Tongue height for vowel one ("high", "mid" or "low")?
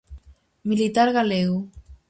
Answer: high